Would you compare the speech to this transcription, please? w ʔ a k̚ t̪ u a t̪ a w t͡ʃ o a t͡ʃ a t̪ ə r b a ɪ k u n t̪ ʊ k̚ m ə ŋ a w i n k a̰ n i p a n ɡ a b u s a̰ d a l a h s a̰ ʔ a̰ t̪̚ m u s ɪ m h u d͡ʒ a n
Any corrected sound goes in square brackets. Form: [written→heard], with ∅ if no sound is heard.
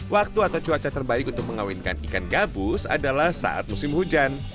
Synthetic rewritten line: w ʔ a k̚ t̪ u a t̪ a w t͡ʃ [o→u] a t͡ʃ a t̪ ə r b a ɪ k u n t̪ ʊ k̚ m ə ŋ a w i n k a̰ n i [p→k] a n ɡ a b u s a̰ d a l a h s a̰ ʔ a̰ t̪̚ m u s ɪ m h u d͡ʒ a n